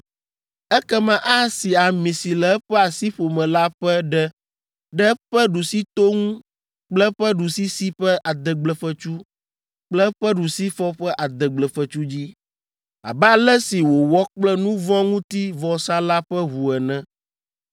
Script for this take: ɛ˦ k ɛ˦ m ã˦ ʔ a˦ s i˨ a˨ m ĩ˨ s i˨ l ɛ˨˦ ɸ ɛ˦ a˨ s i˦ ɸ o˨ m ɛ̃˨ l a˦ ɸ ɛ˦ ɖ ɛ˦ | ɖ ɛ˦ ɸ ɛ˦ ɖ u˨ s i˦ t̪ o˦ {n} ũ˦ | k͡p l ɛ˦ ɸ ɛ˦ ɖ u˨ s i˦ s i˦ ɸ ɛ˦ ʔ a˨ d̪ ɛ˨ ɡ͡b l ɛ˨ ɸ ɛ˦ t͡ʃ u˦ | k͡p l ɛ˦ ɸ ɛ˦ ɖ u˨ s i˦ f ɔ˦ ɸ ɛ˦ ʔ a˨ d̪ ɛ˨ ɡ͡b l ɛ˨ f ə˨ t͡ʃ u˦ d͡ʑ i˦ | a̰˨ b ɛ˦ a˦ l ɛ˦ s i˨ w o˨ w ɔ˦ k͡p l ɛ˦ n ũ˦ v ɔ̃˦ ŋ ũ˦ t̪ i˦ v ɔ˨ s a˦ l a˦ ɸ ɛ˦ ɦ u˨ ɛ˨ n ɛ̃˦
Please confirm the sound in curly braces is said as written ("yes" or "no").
no